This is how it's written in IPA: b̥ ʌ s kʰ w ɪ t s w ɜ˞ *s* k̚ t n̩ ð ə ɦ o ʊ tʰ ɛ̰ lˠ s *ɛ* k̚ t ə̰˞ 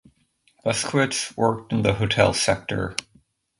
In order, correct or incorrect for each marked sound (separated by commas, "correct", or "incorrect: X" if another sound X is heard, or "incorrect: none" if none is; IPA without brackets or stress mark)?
incorrect: none, correct